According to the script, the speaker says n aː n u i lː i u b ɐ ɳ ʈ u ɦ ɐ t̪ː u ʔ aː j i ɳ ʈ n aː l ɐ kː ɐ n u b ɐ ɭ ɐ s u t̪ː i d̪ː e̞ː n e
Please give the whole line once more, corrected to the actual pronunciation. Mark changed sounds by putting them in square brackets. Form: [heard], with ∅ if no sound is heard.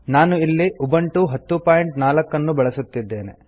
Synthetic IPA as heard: n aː n u i lː i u b ɐ ɳ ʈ u ɦ ɐ t̪ː u [p] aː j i ɳ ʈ n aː l ɐ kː ɐ [nː] u b ɐ ɭ ɐ s u t̪ː i d̪ː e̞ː n e